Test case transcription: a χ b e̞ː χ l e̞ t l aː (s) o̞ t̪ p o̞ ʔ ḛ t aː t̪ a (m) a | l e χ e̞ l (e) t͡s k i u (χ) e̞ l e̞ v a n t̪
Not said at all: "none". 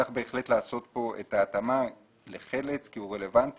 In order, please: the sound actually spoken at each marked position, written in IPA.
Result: s, m, e, ʁ

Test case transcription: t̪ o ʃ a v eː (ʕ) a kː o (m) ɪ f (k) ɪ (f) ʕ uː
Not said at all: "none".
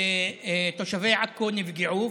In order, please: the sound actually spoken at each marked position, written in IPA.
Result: ʕ, n, ɡ, none

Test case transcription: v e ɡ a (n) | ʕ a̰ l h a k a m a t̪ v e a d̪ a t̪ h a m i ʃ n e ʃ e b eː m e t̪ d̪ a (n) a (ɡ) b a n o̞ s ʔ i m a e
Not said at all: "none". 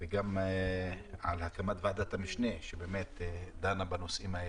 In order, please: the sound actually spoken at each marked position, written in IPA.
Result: m, n, none

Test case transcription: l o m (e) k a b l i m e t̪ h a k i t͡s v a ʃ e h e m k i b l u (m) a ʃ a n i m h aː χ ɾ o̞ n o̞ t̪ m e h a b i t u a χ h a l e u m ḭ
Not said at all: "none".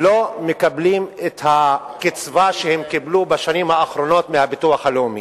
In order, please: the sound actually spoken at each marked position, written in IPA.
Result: e, b

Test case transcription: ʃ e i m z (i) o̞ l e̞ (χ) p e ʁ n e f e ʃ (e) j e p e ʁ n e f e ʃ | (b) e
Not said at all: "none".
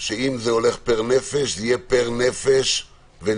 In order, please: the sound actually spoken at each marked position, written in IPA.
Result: e, χ, i, v

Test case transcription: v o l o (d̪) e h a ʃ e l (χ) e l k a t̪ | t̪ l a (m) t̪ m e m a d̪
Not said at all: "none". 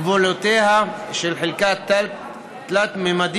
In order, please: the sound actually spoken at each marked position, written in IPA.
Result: t̪, ħ, none

